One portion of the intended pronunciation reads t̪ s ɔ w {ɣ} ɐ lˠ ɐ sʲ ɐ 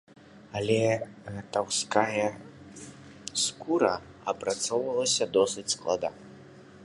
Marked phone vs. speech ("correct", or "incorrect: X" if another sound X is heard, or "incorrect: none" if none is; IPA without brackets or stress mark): incorrect: v